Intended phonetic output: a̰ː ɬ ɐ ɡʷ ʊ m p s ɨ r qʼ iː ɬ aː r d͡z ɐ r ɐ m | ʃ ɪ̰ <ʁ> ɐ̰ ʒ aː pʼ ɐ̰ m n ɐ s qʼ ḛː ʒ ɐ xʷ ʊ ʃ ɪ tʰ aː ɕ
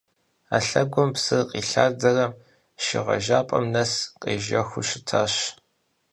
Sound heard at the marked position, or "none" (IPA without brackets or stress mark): ʁ